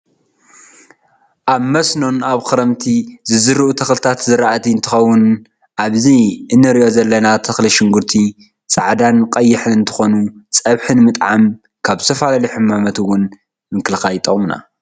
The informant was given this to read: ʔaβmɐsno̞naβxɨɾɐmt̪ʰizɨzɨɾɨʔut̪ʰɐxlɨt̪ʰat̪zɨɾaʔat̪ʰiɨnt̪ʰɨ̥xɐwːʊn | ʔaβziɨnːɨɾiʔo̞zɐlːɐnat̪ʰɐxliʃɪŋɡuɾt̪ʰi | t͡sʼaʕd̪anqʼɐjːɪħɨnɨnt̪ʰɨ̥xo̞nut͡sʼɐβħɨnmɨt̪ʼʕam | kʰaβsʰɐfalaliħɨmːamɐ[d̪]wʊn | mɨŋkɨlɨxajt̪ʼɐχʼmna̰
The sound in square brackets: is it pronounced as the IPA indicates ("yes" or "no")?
no